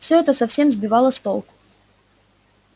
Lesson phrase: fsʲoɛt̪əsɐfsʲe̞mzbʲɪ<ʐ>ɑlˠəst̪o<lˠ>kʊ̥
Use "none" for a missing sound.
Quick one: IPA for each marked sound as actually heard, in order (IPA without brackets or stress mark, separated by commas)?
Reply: v, lˠ